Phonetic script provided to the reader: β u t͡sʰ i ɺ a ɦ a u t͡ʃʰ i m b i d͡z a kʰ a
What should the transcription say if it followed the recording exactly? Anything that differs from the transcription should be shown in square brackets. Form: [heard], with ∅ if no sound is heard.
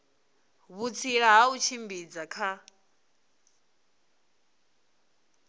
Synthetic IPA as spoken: β u t͡sʰ i ɺ a ɦ a u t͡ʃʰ i m b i d͡z a kʰ a